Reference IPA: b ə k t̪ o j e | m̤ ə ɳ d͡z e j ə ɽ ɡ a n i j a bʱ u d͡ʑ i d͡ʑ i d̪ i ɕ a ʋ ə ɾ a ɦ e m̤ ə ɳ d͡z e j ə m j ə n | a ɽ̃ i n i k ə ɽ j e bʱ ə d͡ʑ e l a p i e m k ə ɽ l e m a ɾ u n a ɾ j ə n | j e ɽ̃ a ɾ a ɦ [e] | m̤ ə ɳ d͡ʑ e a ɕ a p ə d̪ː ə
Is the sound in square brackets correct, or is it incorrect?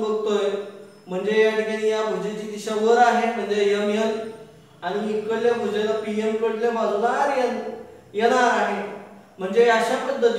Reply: correct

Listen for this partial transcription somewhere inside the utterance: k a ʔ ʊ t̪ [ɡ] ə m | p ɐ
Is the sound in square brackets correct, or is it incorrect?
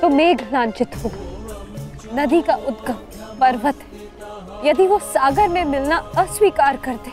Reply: correct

